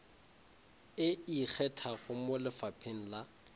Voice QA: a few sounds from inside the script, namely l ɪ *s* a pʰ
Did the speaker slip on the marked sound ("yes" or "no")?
yes